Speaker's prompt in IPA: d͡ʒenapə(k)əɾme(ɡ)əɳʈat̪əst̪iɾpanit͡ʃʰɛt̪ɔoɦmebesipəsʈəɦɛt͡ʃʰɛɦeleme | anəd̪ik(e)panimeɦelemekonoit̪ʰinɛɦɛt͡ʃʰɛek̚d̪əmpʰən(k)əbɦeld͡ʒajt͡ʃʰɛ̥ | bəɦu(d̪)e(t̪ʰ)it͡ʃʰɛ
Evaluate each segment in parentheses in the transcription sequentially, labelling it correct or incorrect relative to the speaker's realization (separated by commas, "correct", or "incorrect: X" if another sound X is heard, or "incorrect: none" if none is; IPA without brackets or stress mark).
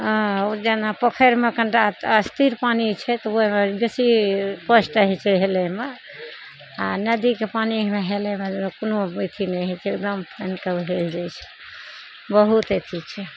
incorrect: kʰ, incorrect: k, correct, correct, incorrect: t̪, correct